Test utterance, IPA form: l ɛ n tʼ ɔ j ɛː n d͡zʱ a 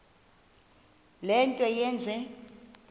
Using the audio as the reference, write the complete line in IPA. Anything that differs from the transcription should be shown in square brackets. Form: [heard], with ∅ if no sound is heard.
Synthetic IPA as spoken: l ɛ n tʼ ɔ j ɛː n d͡zʱ [ɛ]